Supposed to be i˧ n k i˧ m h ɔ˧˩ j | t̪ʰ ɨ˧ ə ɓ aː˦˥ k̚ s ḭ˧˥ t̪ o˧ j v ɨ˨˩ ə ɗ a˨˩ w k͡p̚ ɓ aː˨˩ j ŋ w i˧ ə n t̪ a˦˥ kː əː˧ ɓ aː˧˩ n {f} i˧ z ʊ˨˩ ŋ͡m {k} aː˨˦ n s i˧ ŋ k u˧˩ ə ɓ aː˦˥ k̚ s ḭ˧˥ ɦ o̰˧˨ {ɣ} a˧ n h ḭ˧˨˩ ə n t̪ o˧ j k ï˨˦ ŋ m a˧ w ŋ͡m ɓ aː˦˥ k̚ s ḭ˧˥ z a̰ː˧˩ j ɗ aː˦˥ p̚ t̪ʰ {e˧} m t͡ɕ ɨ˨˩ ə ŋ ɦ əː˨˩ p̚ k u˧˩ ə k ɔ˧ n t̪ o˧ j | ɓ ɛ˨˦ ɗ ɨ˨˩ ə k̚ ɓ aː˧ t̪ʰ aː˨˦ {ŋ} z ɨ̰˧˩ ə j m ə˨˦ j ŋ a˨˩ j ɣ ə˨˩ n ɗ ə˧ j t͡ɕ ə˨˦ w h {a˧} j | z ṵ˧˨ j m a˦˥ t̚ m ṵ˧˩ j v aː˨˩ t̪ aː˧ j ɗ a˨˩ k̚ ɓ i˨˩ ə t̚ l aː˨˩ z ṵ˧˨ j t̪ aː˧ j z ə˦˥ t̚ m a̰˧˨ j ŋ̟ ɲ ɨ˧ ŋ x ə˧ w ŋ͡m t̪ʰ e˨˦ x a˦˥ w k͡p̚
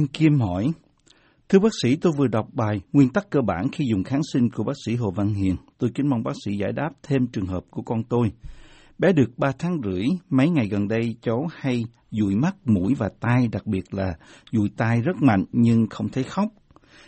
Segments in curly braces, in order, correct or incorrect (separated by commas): incorrect, incorrect, incorrect, correct, correct, correct